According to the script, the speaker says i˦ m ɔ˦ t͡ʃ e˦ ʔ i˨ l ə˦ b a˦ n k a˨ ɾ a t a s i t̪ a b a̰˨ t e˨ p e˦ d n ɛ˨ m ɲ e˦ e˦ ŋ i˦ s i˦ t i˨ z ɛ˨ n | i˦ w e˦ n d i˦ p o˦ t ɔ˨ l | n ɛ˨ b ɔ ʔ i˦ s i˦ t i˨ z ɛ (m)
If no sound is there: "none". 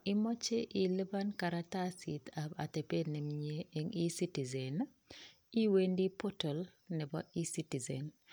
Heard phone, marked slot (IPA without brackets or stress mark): n